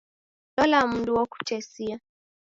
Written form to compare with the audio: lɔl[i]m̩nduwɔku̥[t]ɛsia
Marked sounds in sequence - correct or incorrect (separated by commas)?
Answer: incorrect, incorrect